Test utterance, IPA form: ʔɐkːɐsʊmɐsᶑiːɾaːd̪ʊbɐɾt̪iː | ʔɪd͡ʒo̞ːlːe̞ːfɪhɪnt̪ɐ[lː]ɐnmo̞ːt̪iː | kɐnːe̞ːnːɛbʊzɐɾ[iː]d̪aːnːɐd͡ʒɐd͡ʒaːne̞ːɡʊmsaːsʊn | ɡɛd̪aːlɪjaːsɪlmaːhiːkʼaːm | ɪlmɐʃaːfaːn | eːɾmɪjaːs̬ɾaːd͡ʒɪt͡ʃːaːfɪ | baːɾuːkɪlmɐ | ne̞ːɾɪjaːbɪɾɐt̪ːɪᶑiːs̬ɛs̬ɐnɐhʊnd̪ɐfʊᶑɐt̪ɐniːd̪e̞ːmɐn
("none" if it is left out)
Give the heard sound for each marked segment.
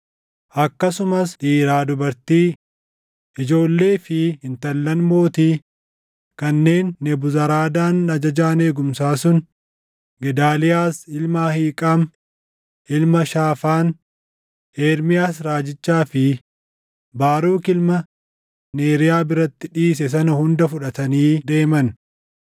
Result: lː, aː

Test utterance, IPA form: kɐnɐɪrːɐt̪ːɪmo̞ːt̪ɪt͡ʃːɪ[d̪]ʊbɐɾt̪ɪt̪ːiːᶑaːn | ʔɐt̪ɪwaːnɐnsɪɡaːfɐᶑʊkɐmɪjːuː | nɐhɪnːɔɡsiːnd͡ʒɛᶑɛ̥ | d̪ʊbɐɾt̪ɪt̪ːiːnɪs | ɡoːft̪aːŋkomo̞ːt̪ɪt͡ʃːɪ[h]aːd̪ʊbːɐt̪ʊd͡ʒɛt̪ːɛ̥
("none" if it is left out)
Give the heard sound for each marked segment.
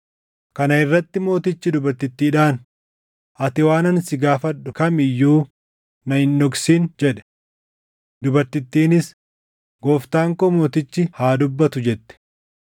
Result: d̪, h

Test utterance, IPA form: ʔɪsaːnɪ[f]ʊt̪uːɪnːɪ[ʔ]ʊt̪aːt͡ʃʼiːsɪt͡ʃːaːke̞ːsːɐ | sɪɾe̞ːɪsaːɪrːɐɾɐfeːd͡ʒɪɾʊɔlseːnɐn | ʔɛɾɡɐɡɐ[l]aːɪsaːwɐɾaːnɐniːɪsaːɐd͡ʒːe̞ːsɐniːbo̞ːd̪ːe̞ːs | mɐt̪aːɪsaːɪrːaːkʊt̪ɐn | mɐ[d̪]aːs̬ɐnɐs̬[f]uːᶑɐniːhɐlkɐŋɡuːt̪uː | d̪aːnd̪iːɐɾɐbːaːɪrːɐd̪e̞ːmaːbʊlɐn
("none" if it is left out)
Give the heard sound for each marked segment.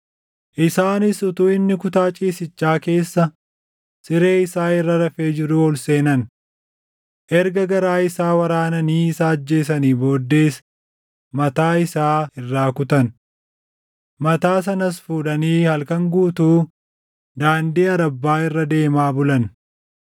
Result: s, k, ɾ, t̪, f

